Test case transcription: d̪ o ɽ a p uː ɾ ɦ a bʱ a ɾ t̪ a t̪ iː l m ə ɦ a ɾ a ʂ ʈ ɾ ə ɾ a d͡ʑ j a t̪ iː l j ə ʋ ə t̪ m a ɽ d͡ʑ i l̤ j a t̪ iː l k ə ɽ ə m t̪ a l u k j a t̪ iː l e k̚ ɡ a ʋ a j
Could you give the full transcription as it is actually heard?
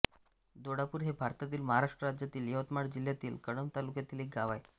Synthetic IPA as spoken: d̪ o ɽ a p uː ɾ ɦ e bʱ a ɾ t̪ a t̪ iː l m ə ɦ a ɾ a ʂ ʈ ɾ ə ɾ a d͡ʑ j a t̪ iː l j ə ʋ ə t̪ m a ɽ d͡ʑ i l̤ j a t̪ iː l k ə ɽ ə m t̪ a l u k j a t̪ iː l e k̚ ɡ a ʋ a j

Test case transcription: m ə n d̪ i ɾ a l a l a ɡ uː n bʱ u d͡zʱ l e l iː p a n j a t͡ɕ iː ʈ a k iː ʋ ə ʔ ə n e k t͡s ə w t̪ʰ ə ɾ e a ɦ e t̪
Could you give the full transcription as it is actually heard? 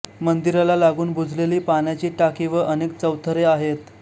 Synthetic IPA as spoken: m ə n d̪ i ɾ a l a l a ɡ uː n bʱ u d͡zʱ l e l iː p a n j a t͡ɕ iː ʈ a k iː ʋ ə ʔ ə n e k t͡s ə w t̪ʰ ə ɾ e a ɦ e t̪

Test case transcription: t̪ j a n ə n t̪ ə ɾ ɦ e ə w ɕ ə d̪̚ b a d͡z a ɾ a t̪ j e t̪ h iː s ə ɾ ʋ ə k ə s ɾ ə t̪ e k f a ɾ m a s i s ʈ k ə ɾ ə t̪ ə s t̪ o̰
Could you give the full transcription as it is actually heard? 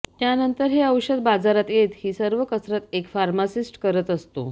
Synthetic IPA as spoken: t̪ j a n ə n t̪ ə ɾ ɦ e ə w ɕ ə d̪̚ b a d͡z a ɾ a t̪ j e t̪ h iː s ə ɾ ʋ ə k ə s ɾ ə t̪ e k f a ɾ m a s i s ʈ k ə ɾ ə t̪ ə s t̪ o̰

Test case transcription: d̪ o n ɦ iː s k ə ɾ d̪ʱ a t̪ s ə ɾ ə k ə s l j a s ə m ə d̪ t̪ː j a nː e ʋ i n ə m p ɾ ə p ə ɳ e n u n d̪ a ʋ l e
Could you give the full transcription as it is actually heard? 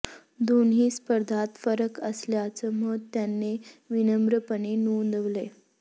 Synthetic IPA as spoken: d̪ o n ɦ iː s p ə ɾ d̪ʱ a t̪ f ə ɾ ə k ə s l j a t͡s ə m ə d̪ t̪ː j a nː e ʋ i n ə m b ɾ ə p ə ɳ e n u n d̪ ə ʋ l e

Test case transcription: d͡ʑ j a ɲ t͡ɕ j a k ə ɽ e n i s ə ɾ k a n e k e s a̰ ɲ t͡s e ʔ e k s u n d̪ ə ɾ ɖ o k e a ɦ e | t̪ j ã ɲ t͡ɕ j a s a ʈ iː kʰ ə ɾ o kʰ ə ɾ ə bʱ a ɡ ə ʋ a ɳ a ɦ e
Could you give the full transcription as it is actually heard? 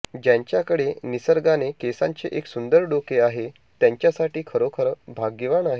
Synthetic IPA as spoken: d͡ʑ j a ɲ t͡ɕ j a k ə ɽ e n i s ə ɾ ɡ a n e k e s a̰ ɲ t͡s e ʔ e k s u n d̪ ə ɾ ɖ o k e a ɦ e | t̪ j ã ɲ t͡ɕ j a s a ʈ iː kʰ ə ɾ o kʰ ə ɾ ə bʱ a ɡ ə ʋ a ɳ a ɦ e

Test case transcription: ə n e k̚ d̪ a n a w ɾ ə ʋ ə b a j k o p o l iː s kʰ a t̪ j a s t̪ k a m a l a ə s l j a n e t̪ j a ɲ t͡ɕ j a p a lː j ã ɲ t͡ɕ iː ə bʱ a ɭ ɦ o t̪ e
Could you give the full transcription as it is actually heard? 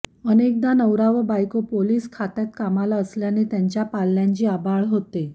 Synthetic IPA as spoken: ə n e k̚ d̪ a n ə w ɾ a ʋ ə b a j k o p o l iː s kʰ a t̪ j a t̪ k a m a l a ə s l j a n e t̪ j a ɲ t͡ɕ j a p a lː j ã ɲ t͡ɕ iː a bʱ a ɭ ɦ o t̪ e

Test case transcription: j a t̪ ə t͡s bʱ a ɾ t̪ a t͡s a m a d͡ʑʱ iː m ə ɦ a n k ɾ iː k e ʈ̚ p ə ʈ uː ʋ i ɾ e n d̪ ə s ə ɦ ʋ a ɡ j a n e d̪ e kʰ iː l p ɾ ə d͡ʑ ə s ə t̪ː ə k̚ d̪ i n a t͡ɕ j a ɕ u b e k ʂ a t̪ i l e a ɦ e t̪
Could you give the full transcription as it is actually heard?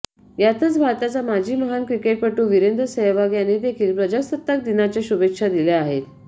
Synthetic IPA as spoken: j a t̪ ə t͡s bʱ a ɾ t̪ a t͡s a m a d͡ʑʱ iː m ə ɦ a n k ɾ i k e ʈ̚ p ə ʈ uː ʋ i ɾ e n d̪ ə s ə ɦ ʋ a ɡ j a n e d̪ e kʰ iː l p ɾ ə d͡ʑ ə s ə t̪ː ə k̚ d̪ i n a t͡ɕ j a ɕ u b e k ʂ a d̪ i l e a ɦ e t̪

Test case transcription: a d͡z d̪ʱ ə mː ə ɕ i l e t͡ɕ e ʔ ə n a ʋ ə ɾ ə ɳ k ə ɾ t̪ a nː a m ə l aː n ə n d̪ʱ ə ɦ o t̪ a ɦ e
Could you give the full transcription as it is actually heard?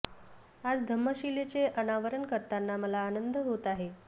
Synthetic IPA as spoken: a d͡z d̪ʱ ə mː ə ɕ i l e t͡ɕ e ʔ ə n a ʋ ə ɾ ə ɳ k ə ɾ t̪ a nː a m ə l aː n ə n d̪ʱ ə ɦ o t̪ a ɦ e

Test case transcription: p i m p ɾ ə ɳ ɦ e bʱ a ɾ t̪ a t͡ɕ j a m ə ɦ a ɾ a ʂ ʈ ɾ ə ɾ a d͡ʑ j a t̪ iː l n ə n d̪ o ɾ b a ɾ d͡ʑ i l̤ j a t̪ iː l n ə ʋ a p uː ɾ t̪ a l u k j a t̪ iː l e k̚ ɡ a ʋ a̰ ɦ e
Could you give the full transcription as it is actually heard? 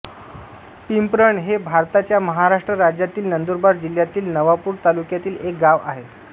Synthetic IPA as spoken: p i m p ɾ ə ɳ ɦ e bʱ a ɾ t̪ a t͡ɕ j a m ə ɦ a ɾ a ʂ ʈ ɾ ə ɾ a d͡ʑ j a t̪ iː l n ə n d̪ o ɾ b a ɾ d͡ʑ i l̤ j a t̪ iː l n ə ʋ a p uː ɾ t̪ a l u k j a t̪ iː l e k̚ ɡ a ʋ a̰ ɦ e

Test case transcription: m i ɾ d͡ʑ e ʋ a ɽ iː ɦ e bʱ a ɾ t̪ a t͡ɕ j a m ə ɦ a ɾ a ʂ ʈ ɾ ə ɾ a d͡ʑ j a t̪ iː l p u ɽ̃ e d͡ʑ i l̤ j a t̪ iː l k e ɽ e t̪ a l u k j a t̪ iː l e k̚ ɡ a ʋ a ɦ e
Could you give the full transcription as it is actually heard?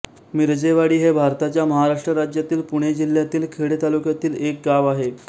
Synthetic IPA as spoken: m i ɾ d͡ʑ e ʋ a ɽ iː ɦ e bʱ a ɾ t̪ a t͡ɕ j a m ə ɦ a ɾ a ʂ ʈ ɾ ə ɾ a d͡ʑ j a t̪ iː l p u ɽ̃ e d͡ʑ i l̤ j a t̪ iː l kʰ e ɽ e t̪ a l u k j a t̪ iː l e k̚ ɡ a ʋ a ɦ e

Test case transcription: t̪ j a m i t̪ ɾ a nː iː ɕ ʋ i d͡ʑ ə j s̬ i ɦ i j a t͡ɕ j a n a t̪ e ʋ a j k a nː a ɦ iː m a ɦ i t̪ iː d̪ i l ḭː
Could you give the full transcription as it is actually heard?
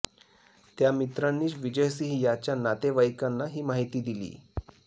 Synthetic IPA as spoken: t̪ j a m i t̪ ɾ a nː iː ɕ ʋ i d͡ʑ ə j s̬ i ɦ i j a t͡ɕ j a n a t̪ e ʋ a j k a nː a ɦ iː m a ɦ i t̪ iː d̪ i l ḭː

